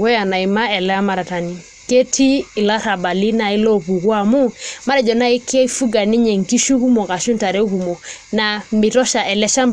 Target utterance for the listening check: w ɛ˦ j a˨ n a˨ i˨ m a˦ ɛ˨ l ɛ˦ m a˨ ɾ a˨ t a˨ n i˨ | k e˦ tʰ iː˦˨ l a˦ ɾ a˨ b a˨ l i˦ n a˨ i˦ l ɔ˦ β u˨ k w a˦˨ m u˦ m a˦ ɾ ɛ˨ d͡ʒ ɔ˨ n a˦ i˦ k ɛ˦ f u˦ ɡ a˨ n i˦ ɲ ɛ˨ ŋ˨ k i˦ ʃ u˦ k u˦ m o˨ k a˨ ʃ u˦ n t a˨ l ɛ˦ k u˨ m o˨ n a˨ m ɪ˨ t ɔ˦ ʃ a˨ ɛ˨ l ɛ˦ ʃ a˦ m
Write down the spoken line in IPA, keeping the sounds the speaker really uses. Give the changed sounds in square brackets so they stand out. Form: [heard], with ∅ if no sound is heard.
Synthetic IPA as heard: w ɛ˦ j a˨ n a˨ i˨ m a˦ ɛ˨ l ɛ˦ m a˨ ɾ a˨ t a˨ n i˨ | k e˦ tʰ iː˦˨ l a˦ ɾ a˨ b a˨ l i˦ n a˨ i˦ l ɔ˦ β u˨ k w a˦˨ m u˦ m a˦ ɾ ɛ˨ d͡ʒ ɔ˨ n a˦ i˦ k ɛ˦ f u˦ ɡ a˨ n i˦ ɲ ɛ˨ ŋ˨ k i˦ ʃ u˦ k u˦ m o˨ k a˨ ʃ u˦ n t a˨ [ɾ] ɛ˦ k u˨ m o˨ n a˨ m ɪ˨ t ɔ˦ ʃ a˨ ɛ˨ l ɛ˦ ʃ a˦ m

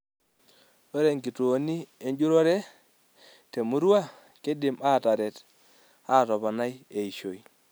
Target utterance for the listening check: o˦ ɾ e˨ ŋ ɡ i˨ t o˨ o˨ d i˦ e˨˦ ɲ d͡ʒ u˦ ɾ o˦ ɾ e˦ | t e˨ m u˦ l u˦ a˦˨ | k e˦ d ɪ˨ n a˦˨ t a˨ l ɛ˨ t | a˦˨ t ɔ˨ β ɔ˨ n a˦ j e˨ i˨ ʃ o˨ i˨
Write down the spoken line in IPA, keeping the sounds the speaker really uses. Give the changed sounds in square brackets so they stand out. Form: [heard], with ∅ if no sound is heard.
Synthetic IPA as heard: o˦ ɾ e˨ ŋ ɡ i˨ t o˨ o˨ [n] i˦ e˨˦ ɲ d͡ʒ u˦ ɾ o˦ ɾ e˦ | t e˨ m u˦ [ɾ] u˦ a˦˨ | k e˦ d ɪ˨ [m] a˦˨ t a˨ [ɾ] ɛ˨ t | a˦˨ t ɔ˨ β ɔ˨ n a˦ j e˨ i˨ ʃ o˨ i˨

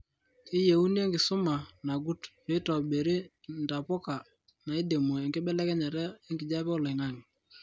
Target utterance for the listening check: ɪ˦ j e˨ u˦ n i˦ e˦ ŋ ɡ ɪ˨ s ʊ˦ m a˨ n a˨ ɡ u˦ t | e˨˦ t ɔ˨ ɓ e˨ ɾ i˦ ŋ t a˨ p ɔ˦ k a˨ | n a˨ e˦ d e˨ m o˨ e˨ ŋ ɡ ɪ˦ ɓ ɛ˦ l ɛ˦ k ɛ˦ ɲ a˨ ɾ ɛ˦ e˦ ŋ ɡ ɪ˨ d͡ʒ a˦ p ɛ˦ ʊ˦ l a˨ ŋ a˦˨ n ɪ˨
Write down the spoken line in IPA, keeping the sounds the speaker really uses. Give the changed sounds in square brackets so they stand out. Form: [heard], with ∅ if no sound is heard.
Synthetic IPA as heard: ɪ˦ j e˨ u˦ n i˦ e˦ ŋ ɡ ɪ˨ s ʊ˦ m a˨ n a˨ ɡ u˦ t | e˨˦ t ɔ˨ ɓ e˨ ɾ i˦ [n] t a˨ p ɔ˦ k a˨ | n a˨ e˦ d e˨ m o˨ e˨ ŋ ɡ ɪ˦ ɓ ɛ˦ l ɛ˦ k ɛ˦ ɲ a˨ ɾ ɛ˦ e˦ ŋ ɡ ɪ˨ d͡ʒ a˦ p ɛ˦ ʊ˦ l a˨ ŋ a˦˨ [ŋ] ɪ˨

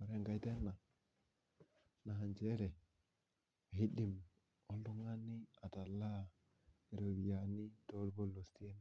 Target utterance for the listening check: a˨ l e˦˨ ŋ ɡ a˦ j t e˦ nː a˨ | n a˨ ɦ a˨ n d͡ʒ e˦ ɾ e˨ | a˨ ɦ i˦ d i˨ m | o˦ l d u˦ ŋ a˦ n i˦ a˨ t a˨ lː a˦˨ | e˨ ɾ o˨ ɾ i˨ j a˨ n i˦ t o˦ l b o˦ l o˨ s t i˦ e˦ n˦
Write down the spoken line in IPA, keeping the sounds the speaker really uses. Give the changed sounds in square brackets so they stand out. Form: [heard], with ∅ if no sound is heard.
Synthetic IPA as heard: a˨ [ɾ] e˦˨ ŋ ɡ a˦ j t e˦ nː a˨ | n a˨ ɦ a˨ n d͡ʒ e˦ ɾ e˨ | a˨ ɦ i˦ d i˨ m | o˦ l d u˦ ŋ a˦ n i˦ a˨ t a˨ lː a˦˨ | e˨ ɾ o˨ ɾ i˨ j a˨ n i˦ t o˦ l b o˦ l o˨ s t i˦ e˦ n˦

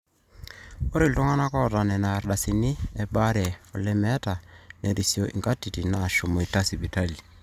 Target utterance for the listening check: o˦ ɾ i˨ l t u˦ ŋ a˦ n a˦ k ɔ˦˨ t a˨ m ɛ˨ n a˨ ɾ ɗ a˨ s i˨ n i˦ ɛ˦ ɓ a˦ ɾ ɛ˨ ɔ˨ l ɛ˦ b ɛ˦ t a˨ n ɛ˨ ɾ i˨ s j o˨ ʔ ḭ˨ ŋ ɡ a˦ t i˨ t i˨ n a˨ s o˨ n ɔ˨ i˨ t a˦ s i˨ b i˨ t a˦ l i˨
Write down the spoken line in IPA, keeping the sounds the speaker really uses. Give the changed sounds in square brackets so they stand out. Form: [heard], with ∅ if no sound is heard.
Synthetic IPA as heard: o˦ ɾ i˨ l t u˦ ŋ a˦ n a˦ k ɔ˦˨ t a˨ [n] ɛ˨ n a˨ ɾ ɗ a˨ s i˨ n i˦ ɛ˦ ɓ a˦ ɾ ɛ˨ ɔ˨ l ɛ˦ [m] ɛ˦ t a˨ n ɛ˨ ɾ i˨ s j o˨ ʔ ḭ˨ ŋ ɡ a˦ t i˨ t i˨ n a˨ [ʃ] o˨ [m] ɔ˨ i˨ t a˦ s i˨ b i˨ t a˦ l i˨

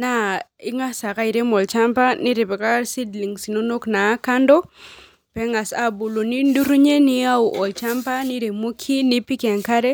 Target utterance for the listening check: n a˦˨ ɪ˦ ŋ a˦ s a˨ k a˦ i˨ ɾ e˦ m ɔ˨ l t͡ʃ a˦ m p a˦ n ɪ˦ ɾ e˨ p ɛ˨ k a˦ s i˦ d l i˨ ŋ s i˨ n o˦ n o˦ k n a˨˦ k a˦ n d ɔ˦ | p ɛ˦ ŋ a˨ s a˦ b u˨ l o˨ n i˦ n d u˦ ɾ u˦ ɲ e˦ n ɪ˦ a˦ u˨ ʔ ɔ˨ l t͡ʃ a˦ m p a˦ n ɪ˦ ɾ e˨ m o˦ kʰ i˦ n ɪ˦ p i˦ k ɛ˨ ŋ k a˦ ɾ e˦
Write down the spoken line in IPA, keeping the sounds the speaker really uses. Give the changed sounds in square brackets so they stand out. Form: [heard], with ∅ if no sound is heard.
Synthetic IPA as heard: n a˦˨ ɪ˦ ŋ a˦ s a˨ k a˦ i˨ ɾ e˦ m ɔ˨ l t͡ʃ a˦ m p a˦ n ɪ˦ ɾ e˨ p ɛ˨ k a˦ s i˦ d l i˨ ŋ s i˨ n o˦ n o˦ k n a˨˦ k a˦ n d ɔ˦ | p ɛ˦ ŋ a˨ s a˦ b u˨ l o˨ n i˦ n d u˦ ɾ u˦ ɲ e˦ n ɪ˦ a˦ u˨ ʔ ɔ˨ l t͡ʃ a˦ m p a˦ n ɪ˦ ɾ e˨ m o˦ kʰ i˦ n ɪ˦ p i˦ k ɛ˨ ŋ k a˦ ɾ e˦

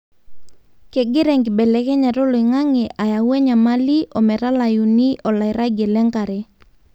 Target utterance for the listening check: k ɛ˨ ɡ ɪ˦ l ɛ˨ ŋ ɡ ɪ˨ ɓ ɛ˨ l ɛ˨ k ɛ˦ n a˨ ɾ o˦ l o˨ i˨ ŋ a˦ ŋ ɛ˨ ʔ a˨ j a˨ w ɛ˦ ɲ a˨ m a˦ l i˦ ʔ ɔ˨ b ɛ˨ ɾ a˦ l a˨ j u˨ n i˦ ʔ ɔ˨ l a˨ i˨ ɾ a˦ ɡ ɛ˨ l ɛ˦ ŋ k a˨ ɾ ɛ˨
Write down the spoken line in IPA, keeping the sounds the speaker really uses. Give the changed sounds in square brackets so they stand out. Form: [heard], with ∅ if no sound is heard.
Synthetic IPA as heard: k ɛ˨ ɡ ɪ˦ [ɾ] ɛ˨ ŋ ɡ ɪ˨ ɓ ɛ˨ l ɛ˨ k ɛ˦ [ɲ] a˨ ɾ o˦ l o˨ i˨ ŋ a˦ ŋ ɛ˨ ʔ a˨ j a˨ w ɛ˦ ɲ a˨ m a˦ l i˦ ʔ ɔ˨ [m] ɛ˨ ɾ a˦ l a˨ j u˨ n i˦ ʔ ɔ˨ l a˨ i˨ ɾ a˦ ɡ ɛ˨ l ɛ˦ ŋ k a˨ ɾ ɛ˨

